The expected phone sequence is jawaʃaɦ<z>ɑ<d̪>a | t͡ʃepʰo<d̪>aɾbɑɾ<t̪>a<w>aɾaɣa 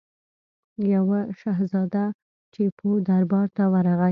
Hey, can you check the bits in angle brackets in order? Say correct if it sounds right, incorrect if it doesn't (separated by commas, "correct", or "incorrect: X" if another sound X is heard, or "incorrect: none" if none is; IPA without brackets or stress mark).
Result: correct, correct, correct, correct, correct